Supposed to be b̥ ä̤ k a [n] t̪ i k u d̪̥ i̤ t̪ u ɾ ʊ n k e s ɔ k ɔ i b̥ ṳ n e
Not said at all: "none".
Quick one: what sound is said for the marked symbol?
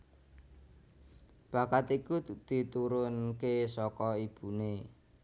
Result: none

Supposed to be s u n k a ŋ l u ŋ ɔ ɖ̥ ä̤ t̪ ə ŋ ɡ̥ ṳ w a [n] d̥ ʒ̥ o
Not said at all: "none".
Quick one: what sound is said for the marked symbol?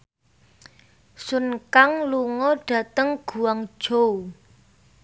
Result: ŋ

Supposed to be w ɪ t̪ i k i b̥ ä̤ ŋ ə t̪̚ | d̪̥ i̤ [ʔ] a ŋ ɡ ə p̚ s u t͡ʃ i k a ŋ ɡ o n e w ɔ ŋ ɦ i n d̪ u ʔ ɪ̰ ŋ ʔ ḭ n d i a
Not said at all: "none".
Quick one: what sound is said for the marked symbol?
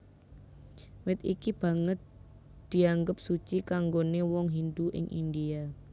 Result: none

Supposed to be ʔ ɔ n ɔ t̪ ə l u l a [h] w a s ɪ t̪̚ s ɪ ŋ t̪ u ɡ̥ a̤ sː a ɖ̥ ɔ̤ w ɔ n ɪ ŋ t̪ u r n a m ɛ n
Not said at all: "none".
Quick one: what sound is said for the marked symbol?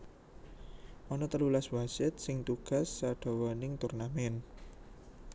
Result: s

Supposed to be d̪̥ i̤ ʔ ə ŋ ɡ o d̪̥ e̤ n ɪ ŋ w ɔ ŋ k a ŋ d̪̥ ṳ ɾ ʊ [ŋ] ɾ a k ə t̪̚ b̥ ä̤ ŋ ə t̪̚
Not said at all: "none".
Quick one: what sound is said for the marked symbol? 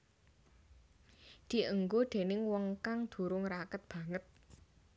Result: ŋ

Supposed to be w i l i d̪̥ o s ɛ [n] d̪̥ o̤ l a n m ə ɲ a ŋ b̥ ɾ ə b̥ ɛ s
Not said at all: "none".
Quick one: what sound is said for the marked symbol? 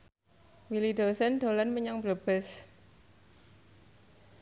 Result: n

